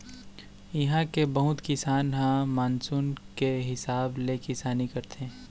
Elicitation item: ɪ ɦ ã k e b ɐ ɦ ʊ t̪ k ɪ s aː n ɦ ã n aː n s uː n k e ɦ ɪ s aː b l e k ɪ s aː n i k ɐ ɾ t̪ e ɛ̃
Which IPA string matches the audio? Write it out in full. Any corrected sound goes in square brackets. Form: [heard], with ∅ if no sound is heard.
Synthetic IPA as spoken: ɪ ɦ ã k e b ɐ ɦ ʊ t̪ k ɪ s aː n ɦ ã [m] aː n s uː n k e ɦ ɪ s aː b l e k ɪ s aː n i k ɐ ɾ t̪ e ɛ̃

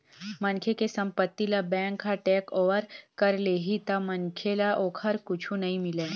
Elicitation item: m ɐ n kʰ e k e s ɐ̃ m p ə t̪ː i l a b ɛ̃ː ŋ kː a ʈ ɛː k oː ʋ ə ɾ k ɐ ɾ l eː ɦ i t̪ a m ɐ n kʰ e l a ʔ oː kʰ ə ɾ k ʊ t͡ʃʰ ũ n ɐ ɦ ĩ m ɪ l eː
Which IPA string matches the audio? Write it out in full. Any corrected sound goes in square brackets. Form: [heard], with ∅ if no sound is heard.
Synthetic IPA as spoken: m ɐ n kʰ e k e s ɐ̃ m p ə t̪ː i l a b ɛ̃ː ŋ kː a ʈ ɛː k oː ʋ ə ɾ k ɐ ɾ l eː ɦ i t̪ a m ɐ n kʰ e l a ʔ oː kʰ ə ɾ k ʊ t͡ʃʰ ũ n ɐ ɦ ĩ m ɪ l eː

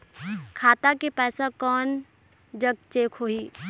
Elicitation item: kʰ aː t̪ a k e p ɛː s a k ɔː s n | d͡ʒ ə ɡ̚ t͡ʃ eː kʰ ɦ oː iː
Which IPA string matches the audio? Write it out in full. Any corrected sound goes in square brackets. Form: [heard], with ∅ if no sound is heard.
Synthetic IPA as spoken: kʰ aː t̪ a k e p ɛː s a k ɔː [∅] n | d͡ʒ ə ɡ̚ t͡ʃ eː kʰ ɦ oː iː

